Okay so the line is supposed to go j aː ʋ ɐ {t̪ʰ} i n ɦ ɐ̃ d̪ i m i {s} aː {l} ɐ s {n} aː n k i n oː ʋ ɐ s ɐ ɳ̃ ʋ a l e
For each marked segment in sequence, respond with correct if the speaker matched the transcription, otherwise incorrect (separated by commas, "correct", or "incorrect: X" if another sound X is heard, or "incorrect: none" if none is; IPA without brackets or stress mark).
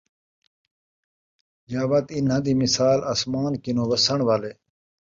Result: incorrect: t̪, correct, correct, incorrect: m